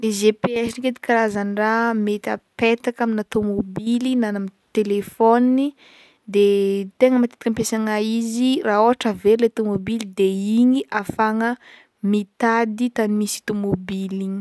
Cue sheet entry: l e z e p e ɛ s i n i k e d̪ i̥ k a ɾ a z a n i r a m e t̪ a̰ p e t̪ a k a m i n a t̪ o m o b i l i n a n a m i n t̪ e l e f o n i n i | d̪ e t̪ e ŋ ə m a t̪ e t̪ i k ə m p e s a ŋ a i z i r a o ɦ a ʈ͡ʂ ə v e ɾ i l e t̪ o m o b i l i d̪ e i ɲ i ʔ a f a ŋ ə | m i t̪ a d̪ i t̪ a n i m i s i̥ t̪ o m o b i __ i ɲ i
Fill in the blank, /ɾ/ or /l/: l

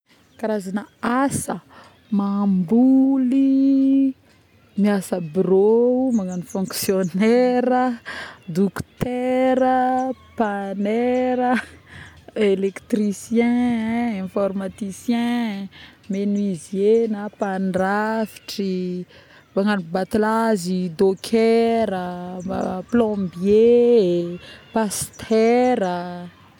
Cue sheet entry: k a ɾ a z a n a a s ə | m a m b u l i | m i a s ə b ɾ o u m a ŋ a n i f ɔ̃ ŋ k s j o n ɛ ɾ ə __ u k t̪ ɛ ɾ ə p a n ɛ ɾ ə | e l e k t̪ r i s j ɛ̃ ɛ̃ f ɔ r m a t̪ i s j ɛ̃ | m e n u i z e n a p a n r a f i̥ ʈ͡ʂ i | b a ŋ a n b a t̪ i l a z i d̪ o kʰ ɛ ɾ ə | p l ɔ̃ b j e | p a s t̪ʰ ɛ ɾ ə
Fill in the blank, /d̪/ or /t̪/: d̪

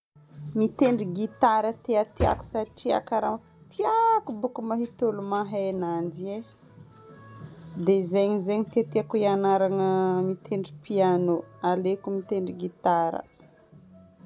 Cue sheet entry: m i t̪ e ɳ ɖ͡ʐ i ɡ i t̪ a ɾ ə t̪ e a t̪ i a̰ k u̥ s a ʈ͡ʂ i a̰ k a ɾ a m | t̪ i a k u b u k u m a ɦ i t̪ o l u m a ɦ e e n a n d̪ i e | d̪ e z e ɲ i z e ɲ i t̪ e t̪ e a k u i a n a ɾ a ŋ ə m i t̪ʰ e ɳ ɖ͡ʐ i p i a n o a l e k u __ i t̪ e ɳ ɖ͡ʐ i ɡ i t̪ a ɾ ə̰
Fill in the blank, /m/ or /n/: m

